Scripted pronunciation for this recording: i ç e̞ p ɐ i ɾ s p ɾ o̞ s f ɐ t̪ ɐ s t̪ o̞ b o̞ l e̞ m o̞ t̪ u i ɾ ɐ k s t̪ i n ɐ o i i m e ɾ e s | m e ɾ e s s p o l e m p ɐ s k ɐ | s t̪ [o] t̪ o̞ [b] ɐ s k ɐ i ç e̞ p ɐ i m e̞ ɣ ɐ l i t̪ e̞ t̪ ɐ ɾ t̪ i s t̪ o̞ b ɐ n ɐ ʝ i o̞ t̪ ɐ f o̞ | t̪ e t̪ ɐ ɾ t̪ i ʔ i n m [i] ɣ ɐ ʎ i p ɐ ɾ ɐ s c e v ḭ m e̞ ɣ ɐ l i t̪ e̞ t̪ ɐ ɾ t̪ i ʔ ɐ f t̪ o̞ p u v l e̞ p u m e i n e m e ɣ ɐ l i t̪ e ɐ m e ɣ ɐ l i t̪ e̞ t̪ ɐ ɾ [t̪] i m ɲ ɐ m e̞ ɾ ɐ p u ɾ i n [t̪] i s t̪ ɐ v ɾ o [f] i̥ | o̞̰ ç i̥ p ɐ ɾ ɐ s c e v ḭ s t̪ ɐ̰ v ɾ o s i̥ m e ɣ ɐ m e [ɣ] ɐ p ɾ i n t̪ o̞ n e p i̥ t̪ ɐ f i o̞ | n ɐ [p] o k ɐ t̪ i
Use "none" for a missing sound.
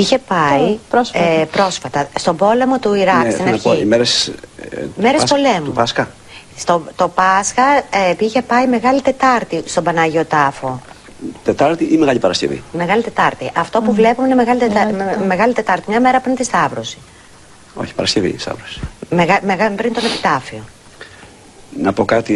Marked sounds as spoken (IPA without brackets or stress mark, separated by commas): o, p, e, t̪, t̪, s, ɣ, p